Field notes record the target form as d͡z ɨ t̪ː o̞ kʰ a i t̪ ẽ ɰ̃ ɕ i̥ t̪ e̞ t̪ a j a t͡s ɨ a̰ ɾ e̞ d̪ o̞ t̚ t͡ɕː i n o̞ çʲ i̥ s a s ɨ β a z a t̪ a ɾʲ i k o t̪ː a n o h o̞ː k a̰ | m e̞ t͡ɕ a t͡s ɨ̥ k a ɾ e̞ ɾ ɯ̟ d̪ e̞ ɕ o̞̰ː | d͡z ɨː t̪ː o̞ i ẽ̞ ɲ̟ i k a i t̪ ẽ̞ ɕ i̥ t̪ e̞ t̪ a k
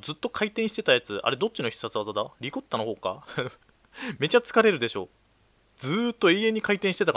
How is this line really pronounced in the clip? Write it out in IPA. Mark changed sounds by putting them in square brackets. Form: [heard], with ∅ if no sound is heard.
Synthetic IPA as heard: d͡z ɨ t̪ː o̞ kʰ a i t̪ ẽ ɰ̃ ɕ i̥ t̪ e̞ t̪ a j a t͡s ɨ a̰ ɾ e̞ d̪ o̞ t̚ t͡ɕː i n o̞ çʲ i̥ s a [t͡s] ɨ β a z a [d̪] a ɾʲ i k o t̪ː a n o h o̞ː k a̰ | m e̞ t͡ɕ a t͡s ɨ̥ k a ɾ e̞ ɾ ɯ̟ d̪ e̞ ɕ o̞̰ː | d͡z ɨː t̪ː o̞ i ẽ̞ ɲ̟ i k a i t̪ ẽ̞ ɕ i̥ t̪ e̞ t̪ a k